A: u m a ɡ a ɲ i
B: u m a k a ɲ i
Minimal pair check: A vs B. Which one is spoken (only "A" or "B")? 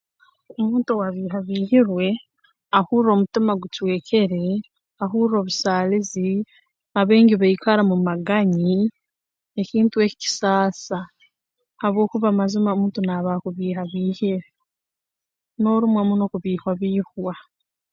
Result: A